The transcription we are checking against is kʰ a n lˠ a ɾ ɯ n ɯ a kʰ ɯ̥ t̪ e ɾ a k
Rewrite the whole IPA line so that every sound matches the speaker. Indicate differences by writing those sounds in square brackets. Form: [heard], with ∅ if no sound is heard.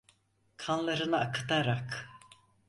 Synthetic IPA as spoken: kʰ a n lˠ a ɾ ɯ n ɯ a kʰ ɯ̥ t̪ [a] ɾ a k